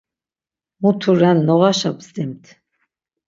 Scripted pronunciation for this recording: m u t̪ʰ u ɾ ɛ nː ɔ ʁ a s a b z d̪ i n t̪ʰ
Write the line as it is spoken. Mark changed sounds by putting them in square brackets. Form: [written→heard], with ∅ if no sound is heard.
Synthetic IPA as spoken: m u t̪ʰ u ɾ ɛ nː ɔ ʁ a [s→ʃ] a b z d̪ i [n→m] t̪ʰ